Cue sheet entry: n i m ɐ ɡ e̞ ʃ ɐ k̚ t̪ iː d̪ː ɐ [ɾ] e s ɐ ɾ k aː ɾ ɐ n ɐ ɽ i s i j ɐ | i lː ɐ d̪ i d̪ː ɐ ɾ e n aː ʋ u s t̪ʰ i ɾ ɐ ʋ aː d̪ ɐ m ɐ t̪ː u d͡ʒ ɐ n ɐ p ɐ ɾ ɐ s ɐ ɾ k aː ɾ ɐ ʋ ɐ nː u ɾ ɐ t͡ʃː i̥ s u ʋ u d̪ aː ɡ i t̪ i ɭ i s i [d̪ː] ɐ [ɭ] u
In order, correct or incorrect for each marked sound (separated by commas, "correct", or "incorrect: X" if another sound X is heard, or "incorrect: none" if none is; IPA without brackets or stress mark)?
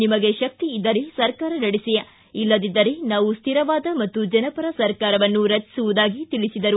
correct, incorrect: d̪, incorrect: ɾ